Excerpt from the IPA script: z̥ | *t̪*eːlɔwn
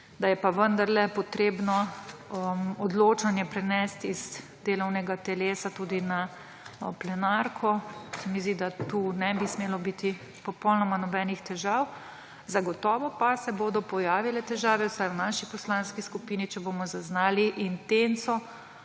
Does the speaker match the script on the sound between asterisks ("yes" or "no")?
no